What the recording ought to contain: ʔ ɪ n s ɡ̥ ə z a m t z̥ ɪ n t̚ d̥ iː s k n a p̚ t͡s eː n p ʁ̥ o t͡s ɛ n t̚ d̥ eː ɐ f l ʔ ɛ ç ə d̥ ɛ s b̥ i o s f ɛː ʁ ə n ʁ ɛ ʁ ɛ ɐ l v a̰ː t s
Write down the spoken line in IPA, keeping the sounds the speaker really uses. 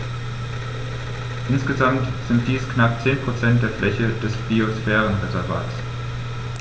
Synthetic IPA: ʔ ɪ n s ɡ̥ ə z a m t z̥ ɪ n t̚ d̥ iː s k n a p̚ t͡s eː n p ʁ̥ o t͡s ɛ n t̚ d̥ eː ɐ f l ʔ ɛ ç ə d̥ ɛ s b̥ i o s f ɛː ʁ ə n ʁ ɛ z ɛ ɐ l v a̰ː t s